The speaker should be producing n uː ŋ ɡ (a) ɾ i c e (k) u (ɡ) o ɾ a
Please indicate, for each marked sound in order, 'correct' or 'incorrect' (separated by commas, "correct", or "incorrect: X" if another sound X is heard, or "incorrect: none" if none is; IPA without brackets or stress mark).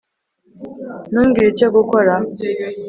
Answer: incorrect: i, incorrect: ɡ, incorrect: k